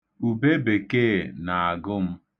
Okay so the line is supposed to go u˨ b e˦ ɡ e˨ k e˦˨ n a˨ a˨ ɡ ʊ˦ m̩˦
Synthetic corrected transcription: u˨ b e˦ b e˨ k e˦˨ n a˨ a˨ ɡ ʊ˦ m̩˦